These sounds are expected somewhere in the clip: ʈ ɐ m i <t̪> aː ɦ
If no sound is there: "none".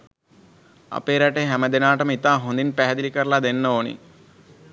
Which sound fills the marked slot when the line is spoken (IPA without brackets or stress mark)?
t̪